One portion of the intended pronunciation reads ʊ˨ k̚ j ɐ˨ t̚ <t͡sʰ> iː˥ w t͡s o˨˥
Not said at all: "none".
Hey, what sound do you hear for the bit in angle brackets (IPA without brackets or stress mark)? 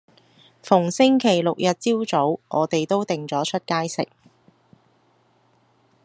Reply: t͡s